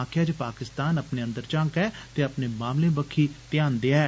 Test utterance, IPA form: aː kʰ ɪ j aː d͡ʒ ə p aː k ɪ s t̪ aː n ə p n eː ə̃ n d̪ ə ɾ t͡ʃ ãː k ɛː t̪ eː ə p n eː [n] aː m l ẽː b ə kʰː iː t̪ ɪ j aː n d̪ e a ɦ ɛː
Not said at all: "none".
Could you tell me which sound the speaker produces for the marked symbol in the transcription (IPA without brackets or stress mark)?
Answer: m